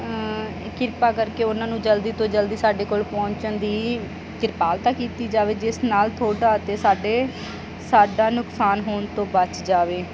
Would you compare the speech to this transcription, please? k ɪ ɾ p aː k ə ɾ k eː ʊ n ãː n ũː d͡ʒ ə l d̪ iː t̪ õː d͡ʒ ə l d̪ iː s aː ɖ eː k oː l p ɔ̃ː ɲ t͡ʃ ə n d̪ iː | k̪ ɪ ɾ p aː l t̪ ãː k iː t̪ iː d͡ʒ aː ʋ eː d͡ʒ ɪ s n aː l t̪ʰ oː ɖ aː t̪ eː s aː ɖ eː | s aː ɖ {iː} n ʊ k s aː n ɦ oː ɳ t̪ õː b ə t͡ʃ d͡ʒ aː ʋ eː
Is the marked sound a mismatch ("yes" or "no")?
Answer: yes